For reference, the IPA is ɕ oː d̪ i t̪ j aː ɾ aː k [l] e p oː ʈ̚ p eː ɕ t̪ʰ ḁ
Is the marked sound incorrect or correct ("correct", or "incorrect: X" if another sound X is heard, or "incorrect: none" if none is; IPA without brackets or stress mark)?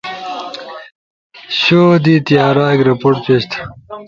incorrect: ɾ